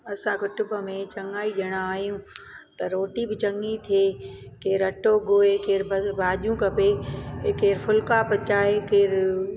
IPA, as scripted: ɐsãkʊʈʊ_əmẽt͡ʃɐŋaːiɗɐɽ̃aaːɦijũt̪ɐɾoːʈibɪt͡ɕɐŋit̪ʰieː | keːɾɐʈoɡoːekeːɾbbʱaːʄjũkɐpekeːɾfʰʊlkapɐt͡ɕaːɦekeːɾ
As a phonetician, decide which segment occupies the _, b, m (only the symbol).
b